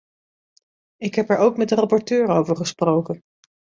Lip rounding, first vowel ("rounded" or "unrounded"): unrounded